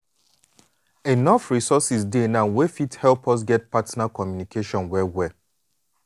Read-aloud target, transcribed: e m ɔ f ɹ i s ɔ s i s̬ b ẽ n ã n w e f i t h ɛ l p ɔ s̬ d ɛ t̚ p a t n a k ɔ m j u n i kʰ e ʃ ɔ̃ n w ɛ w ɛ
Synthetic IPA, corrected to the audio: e n ɔ f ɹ i s ɔ s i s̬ d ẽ n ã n w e f i t h ɛ l p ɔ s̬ ɡ ɛ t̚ p a t n a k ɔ m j u n i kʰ e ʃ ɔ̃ n w ɛ w ɛ